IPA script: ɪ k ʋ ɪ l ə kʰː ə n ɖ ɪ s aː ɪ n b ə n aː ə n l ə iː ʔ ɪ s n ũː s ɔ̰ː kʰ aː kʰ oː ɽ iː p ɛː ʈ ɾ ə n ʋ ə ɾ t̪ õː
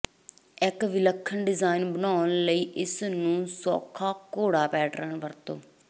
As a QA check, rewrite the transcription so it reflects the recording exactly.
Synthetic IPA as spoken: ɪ k ʋ ɪ l ə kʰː ə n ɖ ɪ z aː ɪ n b ə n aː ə n l ə iː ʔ ɪ s n ũː s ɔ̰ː kʰ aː k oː ɽ aː p ɛː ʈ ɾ ə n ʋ ə ɾ t̪ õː